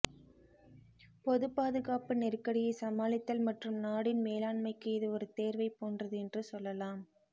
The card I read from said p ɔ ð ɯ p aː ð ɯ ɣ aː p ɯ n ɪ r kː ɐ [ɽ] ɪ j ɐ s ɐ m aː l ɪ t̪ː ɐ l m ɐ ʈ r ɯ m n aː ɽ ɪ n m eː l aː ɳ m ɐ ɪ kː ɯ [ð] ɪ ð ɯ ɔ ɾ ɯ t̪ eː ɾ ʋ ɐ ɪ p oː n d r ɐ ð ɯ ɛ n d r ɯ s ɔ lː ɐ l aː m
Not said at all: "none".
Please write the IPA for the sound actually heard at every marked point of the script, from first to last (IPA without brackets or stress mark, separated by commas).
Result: ɽ, none